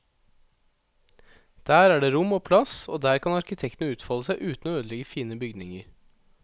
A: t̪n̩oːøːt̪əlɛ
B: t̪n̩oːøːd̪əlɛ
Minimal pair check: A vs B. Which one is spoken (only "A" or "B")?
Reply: B